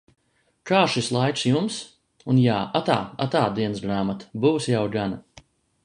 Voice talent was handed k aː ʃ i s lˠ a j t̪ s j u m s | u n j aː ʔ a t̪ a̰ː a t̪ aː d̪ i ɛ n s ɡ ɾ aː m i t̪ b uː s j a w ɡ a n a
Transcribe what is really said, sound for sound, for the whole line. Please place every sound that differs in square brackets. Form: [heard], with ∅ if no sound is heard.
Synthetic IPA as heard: k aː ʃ i s lˠ a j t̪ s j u m s | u n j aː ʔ a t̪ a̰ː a t̪ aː d̪ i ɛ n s ɡ ɾ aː m [a] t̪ b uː s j a w ɡ a n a